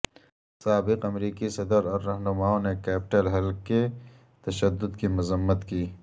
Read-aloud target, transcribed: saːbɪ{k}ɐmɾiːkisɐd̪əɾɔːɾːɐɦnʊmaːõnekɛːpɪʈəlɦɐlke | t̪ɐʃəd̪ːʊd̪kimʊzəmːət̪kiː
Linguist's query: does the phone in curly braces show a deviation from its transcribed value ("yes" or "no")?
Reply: yes